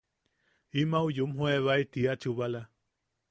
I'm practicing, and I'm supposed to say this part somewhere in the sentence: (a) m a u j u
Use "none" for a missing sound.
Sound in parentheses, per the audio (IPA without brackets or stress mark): i